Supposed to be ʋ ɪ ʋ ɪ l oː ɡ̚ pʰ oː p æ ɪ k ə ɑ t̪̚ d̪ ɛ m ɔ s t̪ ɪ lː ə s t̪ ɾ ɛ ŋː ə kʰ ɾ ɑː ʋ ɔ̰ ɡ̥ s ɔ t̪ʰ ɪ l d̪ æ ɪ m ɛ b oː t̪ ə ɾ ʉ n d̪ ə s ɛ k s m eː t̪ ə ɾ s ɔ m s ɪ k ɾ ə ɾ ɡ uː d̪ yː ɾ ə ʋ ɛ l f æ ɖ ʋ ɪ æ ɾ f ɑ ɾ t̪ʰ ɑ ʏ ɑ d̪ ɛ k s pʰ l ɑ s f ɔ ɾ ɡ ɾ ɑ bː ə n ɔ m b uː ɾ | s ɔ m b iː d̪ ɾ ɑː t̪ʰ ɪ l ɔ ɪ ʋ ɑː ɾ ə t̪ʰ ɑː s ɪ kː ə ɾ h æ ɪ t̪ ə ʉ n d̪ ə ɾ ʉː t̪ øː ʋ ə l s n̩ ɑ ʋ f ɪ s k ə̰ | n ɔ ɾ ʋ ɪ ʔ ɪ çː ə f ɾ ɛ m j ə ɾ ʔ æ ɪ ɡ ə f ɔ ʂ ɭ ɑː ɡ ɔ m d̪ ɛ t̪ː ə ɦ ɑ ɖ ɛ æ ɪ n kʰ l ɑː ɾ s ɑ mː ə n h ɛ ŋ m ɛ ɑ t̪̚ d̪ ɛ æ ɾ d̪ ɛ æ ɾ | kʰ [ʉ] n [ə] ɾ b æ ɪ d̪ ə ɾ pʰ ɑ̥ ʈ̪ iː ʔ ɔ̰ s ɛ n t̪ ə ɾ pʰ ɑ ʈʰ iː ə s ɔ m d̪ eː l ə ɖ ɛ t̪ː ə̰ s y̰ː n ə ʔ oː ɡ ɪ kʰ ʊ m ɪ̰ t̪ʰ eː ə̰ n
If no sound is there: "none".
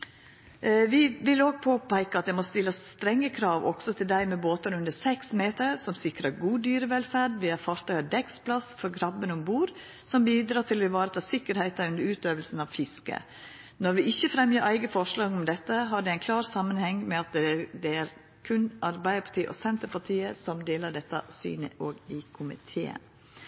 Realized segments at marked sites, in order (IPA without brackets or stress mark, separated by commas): ʉ, ɑ